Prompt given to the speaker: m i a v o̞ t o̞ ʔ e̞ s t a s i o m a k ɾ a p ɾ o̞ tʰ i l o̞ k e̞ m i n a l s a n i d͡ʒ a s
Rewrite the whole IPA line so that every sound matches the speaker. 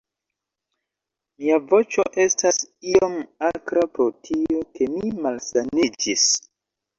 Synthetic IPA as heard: m i a v o̞ t͡ʃ o̞ ʔ e̞ s t a s i o m a k ɾ a p ɾ o̞ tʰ i o̞ k e̞ m i m a l s a n i d͡ʒ i s